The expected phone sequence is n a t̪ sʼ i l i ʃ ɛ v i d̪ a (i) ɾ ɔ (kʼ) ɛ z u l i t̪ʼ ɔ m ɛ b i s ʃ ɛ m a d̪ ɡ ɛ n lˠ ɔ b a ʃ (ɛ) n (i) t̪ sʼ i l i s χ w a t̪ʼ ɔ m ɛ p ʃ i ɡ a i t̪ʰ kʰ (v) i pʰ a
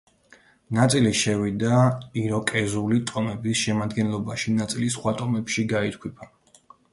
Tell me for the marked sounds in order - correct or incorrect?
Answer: correct, correct, incorrect, incorrect, incorrect

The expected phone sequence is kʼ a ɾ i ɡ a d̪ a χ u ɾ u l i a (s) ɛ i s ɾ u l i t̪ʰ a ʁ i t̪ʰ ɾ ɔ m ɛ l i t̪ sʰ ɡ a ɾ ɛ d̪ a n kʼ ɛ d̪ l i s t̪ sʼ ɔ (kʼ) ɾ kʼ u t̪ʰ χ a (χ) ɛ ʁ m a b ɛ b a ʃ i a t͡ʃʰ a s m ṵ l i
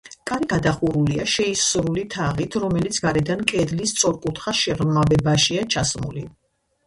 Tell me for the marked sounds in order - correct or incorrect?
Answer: incorrect, incorrect, incorrect

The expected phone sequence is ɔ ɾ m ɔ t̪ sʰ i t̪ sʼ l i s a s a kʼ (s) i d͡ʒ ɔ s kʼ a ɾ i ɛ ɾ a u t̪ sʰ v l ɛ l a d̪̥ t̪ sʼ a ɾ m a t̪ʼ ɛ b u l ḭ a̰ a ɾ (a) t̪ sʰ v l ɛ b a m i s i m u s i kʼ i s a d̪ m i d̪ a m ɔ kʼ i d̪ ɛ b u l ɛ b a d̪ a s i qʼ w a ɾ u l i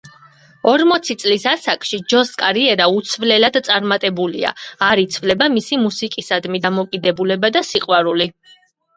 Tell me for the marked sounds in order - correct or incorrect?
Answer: incorrect, incorrect

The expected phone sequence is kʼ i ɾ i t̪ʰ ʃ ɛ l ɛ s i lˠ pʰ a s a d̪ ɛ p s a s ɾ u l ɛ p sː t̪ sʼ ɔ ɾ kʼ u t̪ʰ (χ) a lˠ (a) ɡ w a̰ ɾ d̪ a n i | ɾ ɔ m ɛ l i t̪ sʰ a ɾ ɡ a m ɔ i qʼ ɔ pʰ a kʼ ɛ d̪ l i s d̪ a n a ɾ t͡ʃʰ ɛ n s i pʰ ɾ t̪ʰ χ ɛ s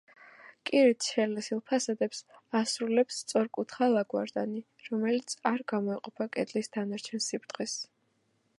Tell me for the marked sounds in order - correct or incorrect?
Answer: correct, correct

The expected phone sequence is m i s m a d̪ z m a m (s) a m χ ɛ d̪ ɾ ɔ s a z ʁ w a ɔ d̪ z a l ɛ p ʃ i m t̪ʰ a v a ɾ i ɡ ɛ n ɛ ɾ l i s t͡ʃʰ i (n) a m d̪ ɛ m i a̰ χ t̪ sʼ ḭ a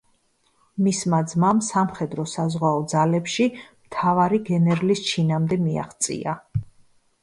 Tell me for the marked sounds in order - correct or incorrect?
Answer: correct, correct

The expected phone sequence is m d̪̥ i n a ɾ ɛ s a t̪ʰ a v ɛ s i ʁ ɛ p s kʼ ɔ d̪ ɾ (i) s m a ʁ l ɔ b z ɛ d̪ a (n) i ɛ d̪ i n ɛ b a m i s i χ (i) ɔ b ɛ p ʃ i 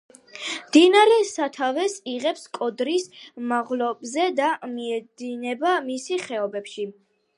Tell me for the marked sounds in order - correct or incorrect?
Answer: correct, incorrect, incorrect

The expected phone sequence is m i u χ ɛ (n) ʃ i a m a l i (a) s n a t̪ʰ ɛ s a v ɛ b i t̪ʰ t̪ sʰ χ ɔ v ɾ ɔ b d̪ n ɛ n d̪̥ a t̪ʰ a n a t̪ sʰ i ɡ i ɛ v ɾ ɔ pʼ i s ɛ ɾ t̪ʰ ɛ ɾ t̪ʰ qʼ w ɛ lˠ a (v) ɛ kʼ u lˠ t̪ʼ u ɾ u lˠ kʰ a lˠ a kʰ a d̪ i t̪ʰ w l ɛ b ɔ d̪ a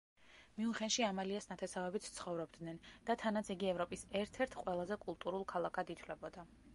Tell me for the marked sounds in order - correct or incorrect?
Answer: correct, correct, incorrect

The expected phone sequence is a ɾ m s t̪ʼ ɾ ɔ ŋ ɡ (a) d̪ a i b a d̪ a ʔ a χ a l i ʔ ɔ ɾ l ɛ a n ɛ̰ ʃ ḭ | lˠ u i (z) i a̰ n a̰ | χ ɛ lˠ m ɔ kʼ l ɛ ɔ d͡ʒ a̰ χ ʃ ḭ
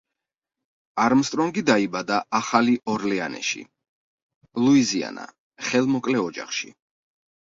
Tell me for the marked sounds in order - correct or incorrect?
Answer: incorrect, correct

